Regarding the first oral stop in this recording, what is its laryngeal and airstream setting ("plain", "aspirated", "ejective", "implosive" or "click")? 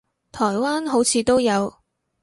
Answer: aspirated